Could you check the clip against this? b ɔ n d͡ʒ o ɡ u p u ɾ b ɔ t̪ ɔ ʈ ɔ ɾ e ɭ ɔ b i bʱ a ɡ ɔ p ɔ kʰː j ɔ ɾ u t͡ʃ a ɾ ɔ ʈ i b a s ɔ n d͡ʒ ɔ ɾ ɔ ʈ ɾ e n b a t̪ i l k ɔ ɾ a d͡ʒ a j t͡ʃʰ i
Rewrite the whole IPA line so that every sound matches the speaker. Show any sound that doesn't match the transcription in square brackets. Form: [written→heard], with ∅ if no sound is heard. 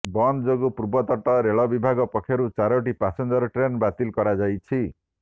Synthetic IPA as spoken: b ɔ n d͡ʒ o ɡ u p u ɾ b ɔ t̪ ɔ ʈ ɔ ɾ e ɭ ɔ b i bʱ a ɡ ɔ p ɔ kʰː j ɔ ɾ u t͡ʃ a ɾ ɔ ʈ i [b→p] a s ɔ n d͡ʒ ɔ ɾ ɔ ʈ ɾ e n b a t̪ i l k ɔ ɾ a d͡ʒ a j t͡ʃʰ i

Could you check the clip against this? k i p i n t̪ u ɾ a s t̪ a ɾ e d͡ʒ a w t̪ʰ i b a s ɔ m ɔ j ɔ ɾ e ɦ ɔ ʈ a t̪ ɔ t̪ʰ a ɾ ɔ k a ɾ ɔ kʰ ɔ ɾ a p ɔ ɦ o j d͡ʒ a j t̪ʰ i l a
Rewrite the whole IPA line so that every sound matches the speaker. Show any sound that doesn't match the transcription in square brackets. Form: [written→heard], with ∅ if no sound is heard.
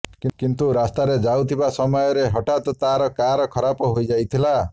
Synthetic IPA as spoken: k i [p→k] i n t̪ u ɾ a s t̪ a ɾ e d͡ʒ a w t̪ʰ i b a s ɔ m ɔ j ɔ ɾ e ɦ ɔ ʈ a t̪ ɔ [t̪ʰ→t̪] a ɾ ɔ k a ɾ ɔ kʰ ɔ ɾ a p ɔ ɦ o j d͡ʒ a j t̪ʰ i l a

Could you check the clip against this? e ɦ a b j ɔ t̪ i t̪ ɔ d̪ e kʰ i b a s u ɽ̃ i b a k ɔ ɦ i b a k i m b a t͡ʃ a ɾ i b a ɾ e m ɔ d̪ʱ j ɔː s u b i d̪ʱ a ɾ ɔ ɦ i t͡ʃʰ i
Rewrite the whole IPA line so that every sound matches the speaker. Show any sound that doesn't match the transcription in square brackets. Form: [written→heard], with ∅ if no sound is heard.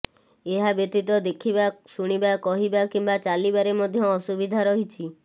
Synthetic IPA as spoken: e ɦ a b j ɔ t̪ i t̪ ɔ d̪ e kʰ i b a s u ɽ̃ i b a k ɔ ɦ i b a k i m b a t͡ʃ a [ɾ→l] i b a ɾ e m ɔ d̪ʱ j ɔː s u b i d̪ʱ a ɾ ɔ ɦ i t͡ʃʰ i

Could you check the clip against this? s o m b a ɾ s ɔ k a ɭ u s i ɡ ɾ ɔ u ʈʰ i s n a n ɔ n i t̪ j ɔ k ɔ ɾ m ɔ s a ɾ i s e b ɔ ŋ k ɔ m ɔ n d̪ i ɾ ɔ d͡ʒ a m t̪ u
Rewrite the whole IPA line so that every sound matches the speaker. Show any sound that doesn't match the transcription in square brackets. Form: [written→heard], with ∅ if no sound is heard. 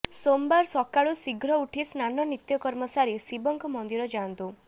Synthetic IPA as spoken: s o m b a ɾ s ɔ k a ɭ u s i ɡ ɾ ɔ u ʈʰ i s n a n ɔ n i t̪ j ɔ k ɔ ɾ m ɔ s a ɾ i s [e→i] b ɔ ŋ k ɔ m ɔ n d̪ i ɾ ɔ d͡ʒ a [m→n] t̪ u

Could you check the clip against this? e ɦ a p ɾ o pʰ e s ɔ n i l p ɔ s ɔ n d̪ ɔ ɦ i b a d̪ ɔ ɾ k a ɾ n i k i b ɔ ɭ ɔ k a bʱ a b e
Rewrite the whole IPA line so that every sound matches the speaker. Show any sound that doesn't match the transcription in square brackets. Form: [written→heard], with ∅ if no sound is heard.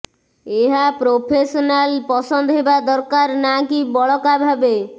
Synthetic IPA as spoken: e ɦ a p ɾ o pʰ e s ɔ n [i→a] l p ɔ s ɔ n d̪ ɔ ɦ [i→e] b a d̪ ɔ ɾ k a ɾ n [i→a] k i b ɔ ɭ ɔ k a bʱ a b e

